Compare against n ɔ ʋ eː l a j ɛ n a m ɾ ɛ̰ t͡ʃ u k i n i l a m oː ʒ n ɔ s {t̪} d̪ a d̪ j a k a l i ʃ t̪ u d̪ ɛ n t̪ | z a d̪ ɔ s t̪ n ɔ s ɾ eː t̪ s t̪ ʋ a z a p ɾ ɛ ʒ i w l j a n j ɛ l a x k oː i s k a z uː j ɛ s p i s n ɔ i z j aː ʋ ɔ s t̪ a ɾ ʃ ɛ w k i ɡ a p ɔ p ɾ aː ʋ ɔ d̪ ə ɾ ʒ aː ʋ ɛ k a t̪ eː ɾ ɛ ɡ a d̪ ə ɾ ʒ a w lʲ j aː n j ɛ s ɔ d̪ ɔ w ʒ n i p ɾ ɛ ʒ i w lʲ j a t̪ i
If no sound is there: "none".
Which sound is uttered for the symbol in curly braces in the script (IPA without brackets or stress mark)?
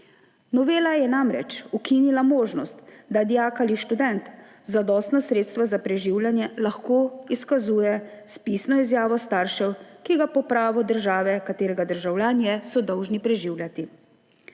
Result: t̪